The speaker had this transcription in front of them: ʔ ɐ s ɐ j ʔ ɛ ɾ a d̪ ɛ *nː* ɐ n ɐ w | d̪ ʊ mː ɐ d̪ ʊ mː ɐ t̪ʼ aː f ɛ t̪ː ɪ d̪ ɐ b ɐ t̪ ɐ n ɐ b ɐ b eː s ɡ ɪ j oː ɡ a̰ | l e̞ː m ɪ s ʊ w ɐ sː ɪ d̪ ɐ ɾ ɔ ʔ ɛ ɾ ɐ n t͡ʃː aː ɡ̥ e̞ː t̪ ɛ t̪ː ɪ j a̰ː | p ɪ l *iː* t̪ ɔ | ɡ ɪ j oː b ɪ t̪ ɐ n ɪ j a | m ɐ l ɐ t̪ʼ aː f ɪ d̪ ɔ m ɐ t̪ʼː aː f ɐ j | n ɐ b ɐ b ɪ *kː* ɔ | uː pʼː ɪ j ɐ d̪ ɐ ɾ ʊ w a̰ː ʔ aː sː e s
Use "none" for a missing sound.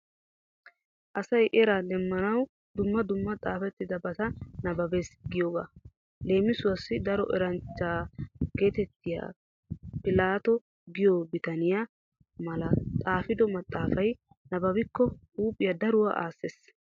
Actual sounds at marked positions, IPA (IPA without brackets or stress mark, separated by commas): mː, aː, kː